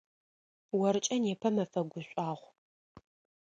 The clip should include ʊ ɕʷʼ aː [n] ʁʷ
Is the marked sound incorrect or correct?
incorrect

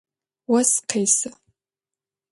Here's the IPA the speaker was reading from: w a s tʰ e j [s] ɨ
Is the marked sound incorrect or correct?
correct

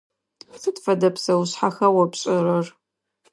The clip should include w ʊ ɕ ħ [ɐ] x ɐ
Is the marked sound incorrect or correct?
incorrect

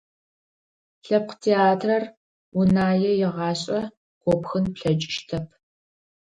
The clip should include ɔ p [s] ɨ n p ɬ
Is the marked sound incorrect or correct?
incorrect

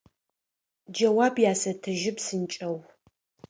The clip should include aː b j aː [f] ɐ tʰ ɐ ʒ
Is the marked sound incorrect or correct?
incorrect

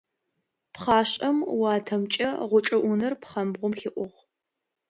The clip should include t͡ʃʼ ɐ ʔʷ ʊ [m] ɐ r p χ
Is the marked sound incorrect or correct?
incorrect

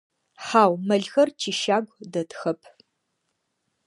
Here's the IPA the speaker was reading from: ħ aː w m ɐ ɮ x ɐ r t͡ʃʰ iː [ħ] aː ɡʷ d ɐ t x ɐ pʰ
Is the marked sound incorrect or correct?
incorrect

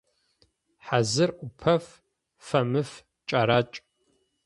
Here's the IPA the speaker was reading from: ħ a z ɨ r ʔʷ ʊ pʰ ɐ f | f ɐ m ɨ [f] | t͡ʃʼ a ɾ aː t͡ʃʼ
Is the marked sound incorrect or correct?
correct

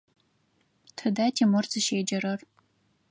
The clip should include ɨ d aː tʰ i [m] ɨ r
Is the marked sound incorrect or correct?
correct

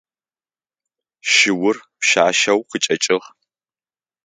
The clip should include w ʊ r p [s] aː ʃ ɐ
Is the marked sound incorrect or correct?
incorrect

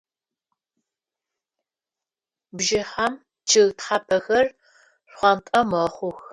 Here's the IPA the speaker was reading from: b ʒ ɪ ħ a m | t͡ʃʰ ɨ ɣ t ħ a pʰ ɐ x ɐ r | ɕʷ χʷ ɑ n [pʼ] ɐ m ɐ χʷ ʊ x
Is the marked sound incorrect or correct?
incorrect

